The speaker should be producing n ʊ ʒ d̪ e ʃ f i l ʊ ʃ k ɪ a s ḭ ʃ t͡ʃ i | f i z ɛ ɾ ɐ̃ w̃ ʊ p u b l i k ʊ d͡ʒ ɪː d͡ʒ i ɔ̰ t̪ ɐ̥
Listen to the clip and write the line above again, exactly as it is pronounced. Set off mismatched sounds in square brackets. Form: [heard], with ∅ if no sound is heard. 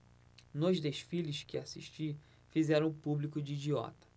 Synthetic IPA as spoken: n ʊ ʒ d̪ e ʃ f i l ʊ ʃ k ɪ a s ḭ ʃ t͡ʃ i | f i z ɛ ɾ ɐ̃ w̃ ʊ p u b l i k ʊ d͡ʒ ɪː d͡ʒ i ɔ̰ t̪ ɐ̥